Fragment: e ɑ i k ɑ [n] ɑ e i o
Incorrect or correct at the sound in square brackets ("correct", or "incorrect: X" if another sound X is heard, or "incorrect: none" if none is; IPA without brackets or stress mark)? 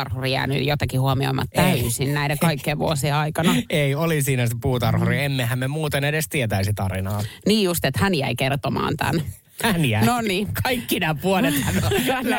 correct